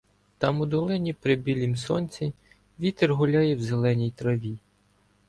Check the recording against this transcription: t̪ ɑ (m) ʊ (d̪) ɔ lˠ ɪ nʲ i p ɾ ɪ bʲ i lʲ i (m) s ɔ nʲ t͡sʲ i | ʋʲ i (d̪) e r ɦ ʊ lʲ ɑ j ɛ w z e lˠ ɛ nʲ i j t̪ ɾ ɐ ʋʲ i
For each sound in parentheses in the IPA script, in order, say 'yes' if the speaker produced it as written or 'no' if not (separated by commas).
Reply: yes, yes, yes, no